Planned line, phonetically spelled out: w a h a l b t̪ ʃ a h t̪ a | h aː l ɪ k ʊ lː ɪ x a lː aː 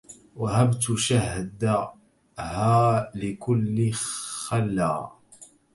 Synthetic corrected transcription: w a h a b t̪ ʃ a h d̪ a | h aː l ɪ k ʊ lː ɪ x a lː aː